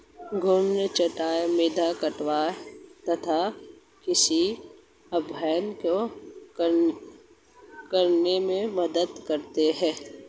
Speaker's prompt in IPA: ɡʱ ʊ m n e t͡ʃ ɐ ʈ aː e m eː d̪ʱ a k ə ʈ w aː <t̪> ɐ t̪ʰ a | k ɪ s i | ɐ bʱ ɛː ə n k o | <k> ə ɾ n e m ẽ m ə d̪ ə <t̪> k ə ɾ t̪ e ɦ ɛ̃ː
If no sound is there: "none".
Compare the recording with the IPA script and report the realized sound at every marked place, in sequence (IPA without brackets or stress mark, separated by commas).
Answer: t̪, k, d̪